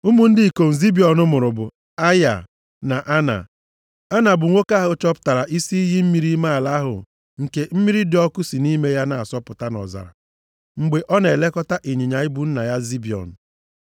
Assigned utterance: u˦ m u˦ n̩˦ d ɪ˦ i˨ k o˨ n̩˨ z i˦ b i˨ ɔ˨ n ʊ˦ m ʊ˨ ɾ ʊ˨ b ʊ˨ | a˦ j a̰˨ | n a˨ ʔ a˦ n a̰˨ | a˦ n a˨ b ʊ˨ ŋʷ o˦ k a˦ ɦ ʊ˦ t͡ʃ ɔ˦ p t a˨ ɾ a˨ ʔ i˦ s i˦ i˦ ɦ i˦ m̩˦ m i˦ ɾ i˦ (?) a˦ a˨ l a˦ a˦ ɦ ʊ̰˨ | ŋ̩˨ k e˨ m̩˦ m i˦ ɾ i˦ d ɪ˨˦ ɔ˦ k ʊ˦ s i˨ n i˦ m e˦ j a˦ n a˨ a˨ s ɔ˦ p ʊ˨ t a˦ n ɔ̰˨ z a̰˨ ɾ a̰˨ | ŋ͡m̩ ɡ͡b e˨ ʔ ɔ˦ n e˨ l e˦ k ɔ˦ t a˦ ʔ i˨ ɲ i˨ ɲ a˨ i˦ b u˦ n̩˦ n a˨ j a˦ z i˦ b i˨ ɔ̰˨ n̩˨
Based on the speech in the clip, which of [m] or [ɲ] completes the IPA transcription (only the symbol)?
m